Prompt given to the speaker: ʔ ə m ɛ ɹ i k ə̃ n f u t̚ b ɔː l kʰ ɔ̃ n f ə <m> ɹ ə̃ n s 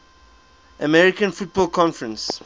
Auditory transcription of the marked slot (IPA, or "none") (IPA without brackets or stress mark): none